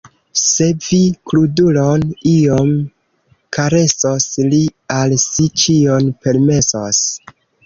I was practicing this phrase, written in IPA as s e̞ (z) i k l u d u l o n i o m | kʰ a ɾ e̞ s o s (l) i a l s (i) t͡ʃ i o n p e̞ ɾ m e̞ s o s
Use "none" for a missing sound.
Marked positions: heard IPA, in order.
v, l, i

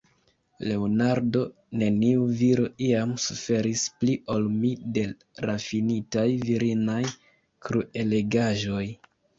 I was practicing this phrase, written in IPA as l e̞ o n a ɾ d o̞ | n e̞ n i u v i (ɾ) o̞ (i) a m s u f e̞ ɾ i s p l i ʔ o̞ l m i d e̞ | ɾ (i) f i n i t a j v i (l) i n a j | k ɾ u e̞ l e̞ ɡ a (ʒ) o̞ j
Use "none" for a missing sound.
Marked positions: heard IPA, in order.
ɾ, i, a, ɾ, ʒ

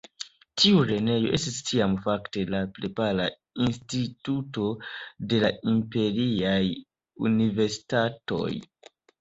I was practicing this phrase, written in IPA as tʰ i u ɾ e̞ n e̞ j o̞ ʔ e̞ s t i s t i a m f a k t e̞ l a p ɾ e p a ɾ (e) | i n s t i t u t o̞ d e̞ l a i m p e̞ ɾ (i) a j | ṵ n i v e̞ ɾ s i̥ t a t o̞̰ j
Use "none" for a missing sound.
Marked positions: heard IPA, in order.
a, i

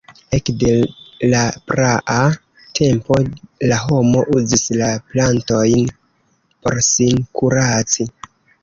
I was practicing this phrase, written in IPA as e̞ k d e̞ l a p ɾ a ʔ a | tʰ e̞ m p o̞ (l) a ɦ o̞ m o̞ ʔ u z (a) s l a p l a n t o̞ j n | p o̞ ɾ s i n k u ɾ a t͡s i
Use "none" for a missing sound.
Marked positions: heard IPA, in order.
l, i

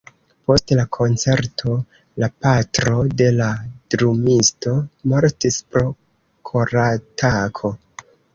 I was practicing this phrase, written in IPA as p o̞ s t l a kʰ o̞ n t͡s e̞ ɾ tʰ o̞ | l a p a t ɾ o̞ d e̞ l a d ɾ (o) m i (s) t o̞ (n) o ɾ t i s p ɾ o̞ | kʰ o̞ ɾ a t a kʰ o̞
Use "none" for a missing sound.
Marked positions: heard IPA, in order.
u, s, m

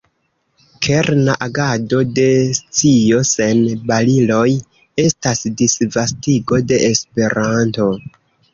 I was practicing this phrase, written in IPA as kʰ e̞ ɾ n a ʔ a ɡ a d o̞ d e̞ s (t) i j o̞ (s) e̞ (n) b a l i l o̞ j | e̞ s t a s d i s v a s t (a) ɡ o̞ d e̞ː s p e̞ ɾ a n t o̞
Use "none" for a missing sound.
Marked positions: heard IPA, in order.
t͡s, s, n, i

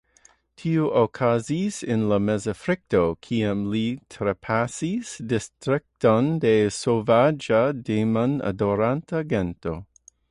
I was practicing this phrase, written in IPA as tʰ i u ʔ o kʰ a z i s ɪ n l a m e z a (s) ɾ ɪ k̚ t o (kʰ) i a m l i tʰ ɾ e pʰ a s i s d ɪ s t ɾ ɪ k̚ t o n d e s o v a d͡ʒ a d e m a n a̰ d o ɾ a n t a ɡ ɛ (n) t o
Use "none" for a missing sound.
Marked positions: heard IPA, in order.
f, kʰ, n

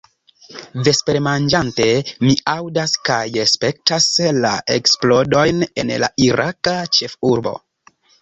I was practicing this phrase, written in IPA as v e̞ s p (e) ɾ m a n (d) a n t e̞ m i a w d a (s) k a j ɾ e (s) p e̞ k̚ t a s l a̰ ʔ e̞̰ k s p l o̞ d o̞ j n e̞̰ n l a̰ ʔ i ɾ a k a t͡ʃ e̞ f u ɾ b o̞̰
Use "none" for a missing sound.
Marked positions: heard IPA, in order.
e, d͡ʒ, s, s

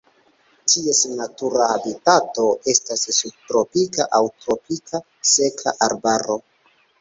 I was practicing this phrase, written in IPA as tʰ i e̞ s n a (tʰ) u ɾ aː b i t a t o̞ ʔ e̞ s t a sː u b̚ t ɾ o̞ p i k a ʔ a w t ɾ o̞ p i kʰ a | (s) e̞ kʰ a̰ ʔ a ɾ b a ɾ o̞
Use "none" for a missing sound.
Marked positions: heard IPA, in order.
t, s

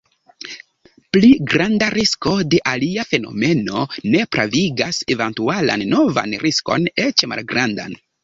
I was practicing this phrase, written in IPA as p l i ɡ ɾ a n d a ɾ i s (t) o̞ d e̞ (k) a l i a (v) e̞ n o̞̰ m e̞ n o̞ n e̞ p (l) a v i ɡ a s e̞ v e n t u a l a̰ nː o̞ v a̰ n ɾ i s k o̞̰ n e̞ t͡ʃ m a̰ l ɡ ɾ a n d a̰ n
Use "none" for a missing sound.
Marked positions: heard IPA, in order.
k, ʔ, f, ɾ

